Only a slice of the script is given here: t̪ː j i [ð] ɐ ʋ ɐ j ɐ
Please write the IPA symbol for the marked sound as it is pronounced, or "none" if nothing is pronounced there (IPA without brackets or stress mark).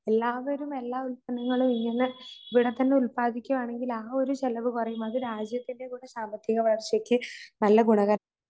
ɣ